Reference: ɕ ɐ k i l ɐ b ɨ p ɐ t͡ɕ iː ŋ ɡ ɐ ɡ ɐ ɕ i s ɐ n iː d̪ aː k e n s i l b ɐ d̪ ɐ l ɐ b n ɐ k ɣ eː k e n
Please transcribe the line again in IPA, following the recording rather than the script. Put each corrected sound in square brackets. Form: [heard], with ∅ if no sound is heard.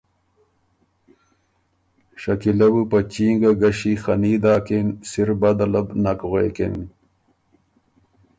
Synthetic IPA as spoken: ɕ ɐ k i l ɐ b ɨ p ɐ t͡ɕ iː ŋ ɡ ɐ ɡ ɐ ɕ i [x] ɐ n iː d̪ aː k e n s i [ɾ] b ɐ d̪ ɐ l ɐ b n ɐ k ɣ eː k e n

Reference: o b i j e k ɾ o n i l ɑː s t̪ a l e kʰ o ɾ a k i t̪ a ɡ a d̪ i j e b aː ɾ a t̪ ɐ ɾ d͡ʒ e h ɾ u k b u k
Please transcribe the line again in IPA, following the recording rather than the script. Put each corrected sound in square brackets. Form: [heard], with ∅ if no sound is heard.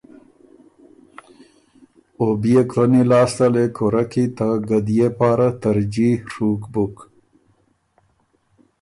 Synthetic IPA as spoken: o b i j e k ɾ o n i l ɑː s t̪ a l e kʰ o ɾ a k i t̪ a ɡ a d̪ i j e [p] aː ɾ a t̪ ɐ ɾ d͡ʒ [i] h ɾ u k b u k

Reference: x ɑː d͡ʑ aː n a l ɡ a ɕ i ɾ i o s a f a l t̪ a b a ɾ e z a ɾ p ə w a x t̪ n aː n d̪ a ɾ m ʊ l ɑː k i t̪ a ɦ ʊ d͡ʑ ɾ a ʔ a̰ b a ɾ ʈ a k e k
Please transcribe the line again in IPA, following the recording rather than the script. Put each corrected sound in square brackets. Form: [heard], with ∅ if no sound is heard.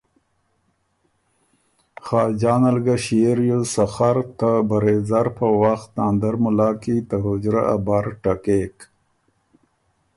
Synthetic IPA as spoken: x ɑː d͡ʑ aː n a l ɡ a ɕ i ɾ [j] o s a [x] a [ɾ] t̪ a b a ɾ e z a ɾ p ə w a x t̪ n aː n d̪ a ɾ m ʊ l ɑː k i t̪ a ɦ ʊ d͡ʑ ɾ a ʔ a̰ b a ɾ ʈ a k e k

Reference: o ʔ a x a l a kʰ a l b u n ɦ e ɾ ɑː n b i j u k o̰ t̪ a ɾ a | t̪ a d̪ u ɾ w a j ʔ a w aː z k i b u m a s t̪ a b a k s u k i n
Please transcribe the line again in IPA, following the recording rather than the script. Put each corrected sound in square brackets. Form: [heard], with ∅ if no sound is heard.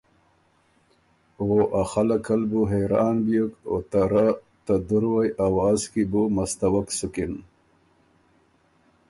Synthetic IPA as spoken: o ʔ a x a l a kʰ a l b u [∅] ɦ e ɾ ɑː n b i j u k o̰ t̪ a ɾ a | t̪ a d̪ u ɾ w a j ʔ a w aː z k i b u m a s t̪ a [w] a k s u k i n

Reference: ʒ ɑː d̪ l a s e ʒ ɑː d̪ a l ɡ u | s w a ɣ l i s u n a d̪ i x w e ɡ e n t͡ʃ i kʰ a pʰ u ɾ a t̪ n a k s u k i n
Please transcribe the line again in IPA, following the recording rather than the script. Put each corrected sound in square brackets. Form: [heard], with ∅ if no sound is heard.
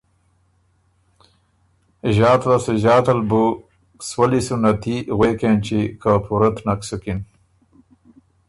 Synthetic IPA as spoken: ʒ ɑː [t̪] l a s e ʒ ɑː [t̪] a l [b] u | s w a [∅] l i s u n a [t̪] i [ɣ] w e [k] e n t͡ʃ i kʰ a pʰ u ɾ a t̪ n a k s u k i n

